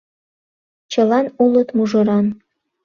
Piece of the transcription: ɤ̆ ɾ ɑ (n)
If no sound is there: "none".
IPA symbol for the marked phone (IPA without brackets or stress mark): n